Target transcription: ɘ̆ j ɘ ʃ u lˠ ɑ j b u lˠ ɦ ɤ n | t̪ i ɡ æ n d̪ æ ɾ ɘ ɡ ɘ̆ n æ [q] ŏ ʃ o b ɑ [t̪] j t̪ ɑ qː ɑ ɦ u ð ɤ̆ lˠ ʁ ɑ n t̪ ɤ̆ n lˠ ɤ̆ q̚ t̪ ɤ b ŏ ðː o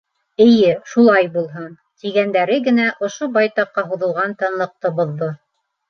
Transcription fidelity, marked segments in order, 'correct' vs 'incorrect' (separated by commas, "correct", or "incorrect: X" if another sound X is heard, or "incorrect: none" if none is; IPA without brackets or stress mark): incorrect: ʔ, incorrect: none